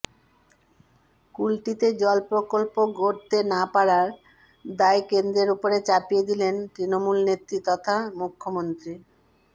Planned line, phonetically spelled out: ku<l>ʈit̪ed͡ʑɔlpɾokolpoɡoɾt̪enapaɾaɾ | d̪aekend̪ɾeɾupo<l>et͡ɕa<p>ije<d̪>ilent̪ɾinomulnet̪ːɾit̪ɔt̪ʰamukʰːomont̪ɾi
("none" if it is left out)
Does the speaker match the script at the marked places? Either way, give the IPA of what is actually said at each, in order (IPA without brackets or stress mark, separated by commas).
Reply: l, ɾ, p, d̪